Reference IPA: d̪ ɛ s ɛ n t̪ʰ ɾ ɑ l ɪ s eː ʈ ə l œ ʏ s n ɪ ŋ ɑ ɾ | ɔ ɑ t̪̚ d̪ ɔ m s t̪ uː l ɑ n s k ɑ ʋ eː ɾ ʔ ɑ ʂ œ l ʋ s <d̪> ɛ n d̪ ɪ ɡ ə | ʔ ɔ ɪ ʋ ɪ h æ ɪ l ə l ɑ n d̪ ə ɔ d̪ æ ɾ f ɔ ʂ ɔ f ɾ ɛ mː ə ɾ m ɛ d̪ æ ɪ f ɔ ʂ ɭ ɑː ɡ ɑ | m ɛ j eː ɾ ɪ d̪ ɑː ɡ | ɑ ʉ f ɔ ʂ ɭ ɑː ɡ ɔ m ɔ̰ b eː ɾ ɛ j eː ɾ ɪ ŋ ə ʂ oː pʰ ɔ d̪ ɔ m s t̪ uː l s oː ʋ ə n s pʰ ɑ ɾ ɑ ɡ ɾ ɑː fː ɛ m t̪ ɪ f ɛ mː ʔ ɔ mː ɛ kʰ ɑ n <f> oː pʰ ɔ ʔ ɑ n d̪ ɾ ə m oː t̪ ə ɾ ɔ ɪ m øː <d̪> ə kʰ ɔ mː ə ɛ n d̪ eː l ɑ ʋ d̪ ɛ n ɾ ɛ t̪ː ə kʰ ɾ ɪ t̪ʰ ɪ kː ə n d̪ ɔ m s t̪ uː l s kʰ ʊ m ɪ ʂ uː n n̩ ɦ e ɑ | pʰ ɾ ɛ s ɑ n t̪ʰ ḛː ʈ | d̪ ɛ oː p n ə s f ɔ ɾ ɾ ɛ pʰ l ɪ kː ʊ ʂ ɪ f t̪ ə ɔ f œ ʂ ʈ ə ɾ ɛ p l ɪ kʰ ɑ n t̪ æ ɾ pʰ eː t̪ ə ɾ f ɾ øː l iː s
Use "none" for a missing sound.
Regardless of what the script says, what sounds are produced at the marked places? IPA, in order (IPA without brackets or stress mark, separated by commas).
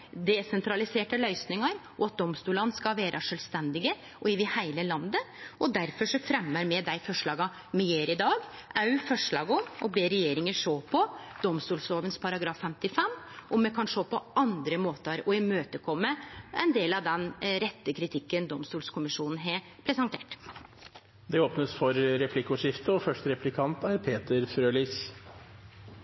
t̪, ʂ, t̪